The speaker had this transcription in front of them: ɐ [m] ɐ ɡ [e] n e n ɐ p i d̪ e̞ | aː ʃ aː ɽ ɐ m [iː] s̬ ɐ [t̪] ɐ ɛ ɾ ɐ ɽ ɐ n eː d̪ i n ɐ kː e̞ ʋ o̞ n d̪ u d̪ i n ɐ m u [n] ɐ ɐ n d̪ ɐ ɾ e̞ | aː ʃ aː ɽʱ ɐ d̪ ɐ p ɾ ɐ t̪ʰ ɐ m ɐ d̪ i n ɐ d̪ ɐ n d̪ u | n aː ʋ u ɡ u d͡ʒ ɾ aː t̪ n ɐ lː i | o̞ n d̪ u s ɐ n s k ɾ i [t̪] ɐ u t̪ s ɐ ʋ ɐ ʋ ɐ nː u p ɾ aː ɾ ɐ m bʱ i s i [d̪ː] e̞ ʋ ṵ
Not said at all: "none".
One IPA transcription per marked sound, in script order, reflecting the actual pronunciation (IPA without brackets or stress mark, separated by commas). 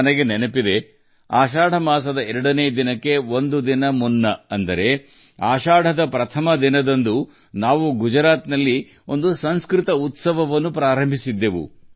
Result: n, e, aː, d̪, nː, t̪, d̪ː